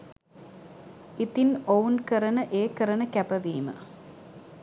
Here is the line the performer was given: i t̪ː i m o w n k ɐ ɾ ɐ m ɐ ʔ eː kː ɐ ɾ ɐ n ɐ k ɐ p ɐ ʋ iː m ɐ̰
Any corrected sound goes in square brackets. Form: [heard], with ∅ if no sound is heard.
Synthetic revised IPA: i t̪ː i [n] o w n k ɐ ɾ ɐ [n] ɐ ʔ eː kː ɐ ɾ ɐ n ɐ k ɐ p ɐ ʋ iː m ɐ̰